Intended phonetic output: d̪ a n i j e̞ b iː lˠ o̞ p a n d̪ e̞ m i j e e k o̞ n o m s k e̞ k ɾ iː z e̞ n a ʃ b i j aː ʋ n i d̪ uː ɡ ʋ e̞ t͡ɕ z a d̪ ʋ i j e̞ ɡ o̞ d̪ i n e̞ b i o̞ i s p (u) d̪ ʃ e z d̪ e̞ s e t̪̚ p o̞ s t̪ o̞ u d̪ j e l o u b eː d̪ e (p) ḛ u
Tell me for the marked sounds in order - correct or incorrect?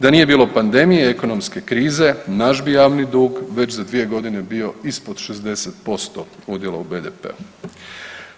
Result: incorrect, correct

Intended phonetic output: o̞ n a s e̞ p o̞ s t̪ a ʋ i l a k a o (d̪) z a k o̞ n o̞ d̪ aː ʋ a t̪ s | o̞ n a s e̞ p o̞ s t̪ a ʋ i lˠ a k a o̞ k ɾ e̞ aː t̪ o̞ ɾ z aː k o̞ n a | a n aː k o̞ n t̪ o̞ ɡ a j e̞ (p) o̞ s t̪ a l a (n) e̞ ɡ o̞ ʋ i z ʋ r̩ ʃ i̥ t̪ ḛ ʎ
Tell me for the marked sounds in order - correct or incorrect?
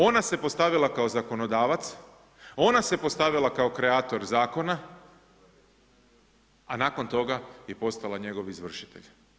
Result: incorrect, correct, incorrect

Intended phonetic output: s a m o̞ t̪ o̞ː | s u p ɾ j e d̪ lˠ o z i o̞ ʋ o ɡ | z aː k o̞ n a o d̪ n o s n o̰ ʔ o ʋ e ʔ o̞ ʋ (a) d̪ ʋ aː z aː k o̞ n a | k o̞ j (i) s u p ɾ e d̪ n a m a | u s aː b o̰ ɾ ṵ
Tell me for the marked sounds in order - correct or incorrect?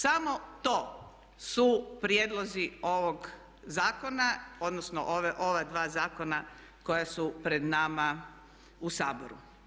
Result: correct, incorrect

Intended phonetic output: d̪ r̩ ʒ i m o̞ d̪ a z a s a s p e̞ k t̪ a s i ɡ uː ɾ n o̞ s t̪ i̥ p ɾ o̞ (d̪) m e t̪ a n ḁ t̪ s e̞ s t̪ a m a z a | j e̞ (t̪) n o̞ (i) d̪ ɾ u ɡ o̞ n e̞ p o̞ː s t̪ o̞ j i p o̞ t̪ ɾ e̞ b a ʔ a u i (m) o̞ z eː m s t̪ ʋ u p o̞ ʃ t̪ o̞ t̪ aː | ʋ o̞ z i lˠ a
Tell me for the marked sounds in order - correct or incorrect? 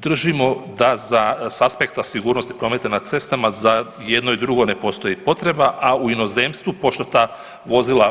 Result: incorrect, incorrect, correct, incorrect

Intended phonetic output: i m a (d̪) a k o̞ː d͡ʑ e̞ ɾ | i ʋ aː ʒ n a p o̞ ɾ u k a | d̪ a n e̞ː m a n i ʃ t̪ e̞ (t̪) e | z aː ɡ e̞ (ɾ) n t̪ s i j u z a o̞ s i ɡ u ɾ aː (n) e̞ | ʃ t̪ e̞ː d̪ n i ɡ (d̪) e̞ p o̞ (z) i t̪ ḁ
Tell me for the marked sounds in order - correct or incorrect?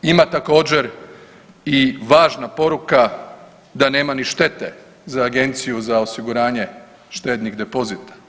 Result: incorrect, correct, incorrect, incorrect, correct, correct

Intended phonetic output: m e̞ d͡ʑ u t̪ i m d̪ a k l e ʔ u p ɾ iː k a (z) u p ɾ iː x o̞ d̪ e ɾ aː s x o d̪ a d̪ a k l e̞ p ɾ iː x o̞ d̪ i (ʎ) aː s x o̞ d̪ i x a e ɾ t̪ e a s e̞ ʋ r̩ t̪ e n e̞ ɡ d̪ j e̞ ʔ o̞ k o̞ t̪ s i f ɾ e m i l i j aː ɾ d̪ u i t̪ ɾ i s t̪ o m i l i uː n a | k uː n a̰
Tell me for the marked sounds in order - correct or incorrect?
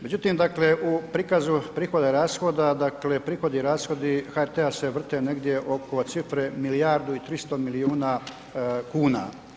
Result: correct, incorrect

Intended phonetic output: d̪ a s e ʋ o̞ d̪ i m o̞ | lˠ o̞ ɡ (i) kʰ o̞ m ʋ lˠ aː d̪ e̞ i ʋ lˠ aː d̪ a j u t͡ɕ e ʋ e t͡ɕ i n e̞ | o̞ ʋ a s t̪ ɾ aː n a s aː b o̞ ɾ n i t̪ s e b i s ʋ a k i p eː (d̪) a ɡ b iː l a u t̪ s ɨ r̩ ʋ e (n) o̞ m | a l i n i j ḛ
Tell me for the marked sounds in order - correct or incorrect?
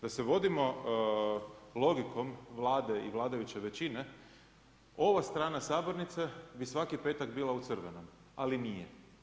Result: correct, incorrect, correct

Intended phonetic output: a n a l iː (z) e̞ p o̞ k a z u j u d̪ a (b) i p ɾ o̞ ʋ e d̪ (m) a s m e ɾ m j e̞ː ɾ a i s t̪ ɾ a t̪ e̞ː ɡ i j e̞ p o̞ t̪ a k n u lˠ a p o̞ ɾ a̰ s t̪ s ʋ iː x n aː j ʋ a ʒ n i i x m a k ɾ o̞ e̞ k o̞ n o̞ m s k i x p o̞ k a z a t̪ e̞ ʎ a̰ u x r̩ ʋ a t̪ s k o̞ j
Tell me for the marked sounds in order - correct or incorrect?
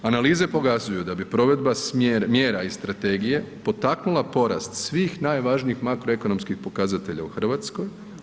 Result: correct, correct, incorrect

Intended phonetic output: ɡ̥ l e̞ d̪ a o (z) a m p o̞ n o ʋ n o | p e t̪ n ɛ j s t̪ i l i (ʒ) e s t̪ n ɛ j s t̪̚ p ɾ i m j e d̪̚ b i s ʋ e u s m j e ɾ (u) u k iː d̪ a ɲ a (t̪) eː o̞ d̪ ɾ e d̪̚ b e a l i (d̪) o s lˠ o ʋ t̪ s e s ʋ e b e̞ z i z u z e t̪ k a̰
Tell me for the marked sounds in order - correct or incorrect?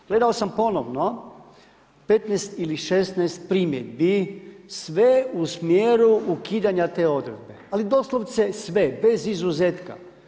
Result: incorrect, incorrect, correct, correct, correct

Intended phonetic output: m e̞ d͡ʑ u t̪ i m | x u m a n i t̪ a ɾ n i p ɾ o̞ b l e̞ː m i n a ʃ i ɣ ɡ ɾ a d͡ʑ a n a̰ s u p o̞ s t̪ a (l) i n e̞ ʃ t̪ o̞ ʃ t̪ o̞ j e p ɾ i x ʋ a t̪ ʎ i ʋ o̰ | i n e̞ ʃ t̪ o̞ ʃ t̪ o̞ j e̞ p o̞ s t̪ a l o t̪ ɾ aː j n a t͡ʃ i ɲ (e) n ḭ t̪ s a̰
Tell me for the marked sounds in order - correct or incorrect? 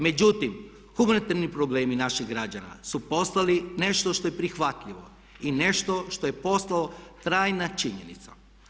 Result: correct, correct

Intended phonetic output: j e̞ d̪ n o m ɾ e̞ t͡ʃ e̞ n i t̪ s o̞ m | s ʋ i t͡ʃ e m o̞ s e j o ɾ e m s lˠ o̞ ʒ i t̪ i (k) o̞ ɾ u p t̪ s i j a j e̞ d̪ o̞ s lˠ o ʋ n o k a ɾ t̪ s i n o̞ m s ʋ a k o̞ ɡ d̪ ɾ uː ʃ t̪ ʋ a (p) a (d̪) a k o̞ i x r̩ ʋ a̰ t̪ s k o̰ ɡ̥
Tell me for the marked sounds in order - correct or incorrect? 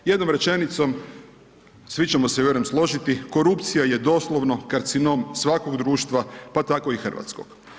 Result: correct, correct, incorrect

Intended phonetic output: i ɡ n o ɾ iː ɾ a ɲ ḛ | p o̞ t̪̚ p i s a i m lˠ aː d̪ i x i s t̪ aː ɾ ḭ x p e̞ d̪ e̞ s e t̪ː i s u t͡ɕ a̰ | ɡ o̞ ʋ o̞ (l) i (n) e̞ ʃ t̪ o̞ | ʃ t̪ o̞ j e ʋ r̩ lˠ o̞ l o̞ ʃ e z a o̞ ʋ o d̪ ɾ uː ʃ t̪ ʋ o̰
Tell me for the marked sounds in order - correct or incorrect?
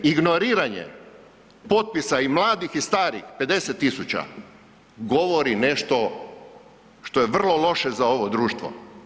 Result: incorrect, correct

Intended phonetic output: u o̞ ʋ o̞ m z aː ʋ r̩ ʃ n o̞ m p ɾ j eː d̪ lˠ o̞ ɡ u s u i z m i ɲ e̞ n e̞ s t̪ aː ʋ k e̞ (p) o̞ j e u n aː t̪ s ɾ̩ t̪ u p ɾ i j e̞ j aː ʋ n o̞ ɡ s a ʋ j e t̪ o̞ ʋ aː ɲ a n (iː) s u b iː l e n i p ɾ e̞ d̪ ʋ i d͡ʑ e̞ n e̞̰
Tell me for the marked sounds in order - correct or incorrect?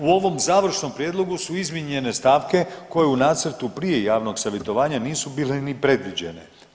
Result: incorrect, correct

